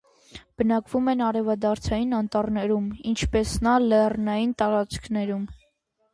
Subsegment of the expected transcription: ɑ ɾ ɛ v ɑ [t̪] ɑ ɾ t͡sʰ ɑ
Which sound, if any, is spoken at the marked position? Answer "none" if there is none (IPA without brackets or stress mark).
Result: d̪